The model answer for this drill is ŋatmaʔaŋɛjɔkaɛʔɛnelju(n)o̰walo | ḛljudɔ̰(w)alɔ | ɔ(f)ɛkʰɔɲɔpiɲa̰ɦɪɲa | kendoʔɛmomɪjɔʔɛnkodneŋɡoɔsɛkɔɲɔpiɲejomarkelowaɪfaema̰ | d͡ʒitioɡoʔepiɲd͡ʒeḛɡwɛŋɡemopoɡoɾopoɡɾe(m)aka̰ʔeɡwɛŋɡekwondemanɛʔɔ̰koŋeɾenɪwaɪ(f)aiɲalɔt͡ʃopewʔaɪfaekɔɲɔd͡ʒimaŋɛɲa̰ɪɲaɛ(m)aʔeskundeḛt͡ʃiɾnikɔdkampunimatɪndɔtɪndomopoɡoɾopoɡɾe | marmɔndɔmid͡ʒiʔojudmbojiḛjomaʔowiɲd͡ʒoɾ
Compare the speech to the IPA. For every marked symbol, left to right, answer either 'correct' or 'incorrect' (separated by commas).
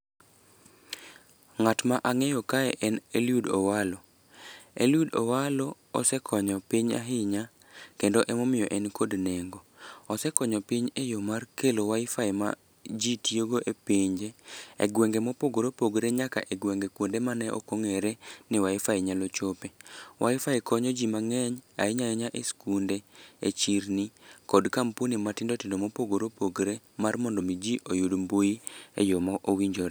incorrect, correct, incorrect, incorrect, correct, incorrect